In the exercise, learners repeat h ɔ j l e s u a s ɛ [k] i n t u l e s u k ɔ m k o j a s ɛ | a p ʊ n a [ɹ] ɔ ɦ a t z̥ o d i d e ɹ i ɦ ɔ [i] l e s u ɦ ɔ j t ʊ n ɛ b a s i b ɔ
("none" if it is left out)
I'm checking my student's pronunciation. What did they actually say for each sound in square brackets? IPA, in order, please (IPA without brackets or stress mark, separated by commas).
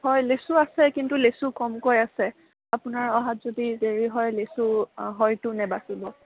k, ɹ, j